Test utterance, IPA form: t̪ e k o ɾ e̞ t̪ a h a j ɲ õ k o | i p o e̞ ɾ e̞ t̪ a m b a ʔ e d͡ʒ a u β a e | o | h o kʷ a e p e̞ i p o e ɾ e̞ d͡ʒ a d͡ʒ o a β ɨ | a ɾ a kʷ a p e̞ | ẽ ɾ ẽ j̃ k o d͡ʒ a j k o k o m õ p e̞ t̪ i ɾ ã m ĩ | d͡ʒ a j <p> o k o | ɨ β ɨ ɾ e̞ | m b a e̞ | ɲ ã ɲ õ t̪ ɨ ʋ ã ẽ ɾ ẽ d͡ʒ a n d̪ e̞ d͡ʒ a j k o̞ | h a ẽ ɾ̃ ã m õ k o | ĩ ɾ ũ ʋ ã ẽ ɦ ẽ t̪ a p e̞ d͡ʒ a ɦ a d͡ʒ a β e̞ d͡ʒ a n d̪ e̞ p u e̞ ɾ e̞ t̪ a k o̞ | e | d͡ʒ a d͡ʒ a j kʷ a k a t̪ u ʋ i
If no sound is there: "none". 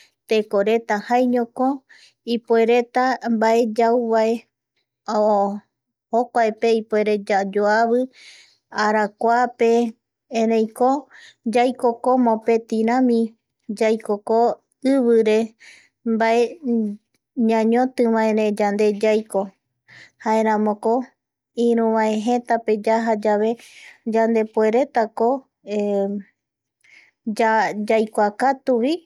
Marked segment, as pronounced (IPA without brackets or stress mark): k